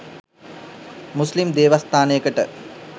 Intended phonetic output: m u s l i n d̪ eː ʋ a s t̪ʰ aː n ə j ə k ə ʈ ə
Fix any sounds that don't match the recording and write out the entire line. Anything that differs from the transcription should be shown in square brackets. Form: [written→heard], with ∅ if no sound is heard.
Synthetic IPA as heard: m u s l i [n→m] d̪ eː ʋ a s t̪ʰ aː n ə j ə k ə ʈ ə